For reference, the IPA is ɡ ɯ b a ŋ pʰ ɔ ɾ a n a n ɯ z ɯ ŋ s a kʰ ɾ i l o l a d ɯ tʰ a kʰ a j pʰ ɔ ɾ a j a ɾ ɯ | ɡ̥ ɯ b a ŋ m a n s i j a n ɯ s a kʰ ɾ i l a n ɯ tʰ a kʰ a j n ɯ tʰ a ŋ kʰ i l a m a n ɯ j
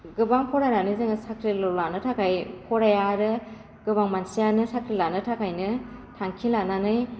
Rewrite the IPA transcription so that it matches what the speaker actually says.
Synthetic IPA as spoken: ɡ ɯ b a ŋ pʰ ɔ ɾ a n a n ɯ z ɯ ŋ s a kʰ ɾ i l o l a n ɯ tʰ a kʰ a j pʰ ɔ ɾ a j a ɾ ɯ | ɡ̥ ɯ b a ŋ m a n s i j a n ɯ s a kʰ ɾ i l a n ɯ tʰ a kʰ a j n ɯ tʰ a ŋ kʰ i l a n a n ɯ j